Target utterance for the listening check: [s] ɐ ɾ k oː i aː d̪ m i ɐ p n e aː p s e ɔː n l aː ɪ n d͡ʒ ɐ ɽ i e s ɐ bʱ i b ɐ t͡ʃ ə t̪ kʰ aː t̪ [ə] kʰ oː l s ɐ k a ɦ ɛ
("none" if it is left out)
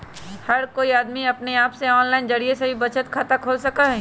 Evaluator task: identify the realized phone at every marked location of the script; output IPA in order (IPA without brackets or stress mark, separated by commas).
h, a